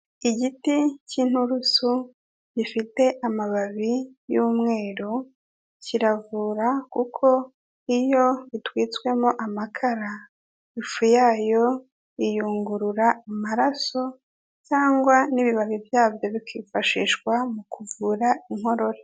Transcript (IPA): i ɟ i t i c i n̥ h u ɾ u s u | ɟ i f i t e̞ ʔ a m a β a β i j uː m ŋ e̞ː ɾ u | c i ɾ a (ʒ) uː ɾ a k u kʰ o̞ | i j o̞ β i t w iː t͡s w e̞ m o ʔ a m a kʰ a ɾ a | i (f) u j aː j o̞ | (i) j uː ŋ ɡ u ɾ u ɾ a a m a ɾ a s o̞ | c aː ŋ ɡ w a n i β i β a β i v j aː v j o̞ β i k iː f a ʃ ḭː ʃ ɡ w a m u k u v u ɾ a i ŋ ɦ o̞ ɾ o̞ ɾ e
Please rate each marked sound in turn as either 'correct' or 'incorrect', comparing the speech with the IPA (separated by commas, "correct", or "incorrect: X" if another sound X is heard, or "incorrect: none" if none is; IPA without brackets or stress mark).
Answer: incorrect: v, correct, correct